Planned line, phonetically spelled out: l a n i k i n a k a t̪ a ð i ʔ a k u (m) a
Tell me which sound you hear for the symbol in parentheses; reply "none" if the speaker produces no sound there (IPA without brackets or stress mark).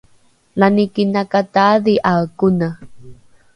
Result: n